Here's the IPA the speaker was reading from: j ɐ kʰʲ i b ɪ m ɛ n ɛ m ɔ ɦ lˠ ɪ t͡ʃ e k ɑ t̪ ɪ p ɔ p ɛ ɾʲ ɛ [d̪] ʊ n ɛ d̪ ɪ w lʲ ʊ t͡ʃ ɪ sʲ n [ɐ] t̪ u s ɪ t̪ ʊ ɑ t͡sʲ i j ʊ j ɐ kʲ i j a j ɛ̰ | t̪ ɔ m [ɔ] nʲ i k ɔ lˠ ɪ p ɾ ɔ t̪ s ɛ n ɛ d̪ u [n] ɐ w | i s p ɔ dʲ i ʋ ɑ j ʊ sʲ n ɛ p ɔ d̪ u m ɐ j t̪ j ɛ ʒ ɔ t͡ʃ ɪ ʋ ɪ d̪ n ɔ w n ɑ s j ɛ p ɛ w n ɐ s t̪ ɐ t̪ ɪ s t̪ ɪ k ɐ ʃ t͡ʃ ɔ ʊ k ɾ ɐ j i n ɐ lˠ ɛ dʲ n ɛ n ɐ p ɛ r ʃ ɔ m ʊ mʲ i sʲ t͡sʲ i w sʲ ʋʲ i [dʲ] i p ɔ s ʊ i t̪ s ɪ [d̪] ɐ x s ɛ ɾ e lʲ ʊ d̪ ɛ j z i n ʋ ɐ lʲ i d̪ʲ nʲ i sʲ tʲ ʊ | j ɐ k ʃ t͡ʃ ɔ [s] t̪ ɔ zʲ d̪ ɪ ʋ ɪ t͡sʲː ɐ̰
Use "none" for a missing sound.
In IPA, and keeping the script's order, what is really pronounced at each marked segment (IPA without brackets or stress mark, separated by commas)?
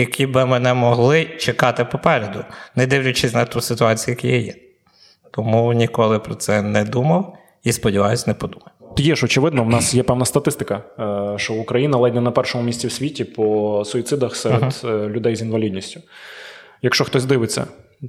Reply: d̪, ɐ, u, m, tʲ, d̪, x